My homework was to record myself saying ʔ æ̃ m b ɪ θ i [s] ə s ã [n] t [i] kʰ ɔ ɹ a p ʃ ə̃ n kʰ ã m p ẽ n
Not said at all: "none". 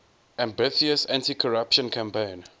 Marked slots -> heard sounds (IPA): none, n, i

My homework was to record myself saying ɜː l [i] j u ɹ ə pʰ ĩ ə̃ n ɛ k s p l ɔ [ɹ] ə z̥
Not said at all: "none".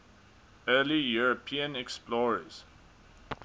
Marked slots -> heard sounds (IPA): i, ɹ

